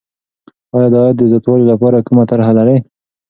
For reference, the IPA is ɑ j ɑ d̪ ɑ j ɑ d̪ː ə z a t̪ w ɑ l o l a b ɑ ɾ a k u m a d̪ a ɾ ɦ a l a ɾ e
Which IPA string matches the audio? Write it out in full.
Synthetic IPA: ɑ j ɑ d̪ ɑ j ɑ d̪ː ə z a t̪ w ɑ l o l a p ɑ ɾ a k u m a t̪ a ɾ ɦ a l a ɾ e